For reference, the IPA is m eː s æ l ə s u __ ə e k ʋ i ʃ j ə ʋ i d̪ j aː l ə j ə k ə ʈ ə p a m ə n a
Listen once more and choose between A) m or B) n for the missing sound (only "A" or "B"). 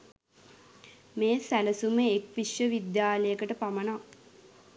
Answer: A